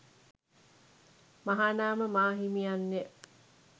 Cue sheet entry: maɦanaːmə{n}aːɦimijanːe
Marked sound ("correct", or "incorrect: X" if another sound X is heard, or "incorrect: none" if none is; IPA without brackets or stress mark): incorrect: m